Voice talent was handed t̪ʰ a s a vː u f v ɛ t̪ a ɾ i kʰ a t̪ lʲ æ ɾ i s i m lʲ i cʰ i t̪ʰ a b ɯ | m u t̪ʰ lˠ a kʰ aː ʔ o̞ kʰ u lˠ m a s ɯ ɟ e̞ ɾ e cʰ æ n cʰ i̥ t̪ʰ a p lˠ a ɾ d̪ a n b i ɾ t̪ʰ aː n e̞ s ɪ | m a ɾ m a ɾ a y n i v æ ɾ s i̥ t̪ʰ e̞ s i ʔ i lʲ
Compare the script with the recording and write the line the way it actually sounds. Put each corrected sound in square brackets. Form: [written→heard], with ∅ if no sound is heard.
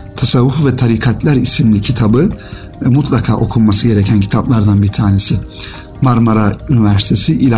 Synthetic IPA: t̪ʰ a s a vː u f v ɛ [t̪→t̪ʰ] a ɾ i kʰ a t̪ lʲ æ ɾ i s i m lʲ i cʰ i t̪ʰ a b ɯ | m u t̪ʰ lˠ a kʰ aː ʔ o̞ kʰ u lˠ m a s ɯ ɟ e̞ ɾ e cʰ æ n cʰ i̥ t̪ʰ a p lˠ a ɾ d̪ a n b i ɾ t̪ʰ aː n e̞ s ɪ | m a ɾ m a ɾ a y n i v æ ɾ s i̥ t̪ʰ e̞ s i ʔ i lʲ